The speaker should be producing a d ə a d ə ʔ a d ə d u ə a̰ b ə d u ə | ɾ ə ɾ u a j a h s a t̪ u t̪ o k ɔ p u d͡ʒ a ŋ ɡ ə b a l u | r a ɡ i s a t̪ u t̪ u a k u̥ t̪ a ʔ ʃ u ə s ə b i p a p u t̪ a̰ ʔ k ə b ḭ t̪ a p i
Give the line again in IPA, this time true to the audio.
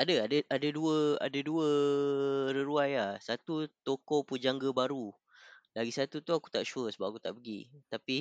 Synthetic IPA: a d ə a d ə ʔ a d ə d u ə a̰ d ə d u ə | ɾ ə ɾ u a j a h s a t̪ u t̪ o k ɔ p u d͡ʒ a ŋ ɡ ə b a ɾ u | l a ɡ i s a t̪ u t̪ u a k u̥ t̪ a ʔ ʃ u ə s ə b a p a k u t̪ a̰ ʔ p ə ɡ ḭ t̪ a p i